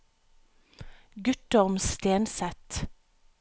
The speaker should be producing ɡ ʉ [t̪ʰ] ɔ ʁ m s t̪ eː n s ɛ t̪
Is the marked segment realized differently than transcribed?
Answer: yes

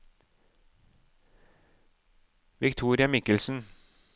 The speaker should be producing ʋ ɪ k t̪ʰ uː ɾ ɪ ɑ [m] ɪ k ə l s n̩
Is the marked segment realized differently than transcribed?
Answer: no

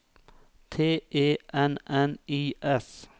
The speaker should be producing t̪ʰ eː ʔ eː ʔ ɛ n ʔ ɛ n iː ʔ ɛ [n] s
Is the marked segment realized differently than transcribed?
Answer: yes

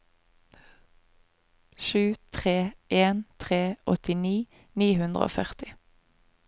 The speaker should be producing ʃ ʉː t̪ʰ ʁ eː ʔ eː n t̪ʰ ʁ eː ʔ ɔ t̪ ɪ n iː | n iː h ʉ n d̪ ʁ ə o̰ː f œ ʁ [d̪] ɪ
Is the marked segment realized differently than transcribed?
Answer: yes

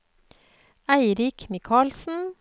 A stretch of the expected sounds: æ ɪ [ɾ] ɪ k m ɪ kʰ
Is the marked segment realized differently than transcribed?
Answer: no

